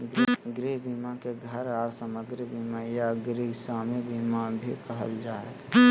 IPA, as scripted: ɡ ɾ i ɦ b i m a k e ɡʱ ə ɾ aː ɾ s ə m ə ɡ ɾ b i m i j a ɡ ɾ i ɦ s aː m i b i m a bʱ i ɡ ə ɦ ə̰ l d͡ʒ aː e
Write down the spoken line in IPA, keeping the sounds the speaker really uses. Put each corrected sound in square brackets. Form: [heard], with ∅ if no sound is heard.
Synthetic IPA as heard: ɡ ɾ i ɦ b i m a k e ɡʱ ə ɾ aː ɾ s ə m ə ɡ ɾ b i m [a] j a ɡ ɾ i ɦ s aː m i b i m a bʱ i [k] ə ɦ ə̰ l d͡ʒ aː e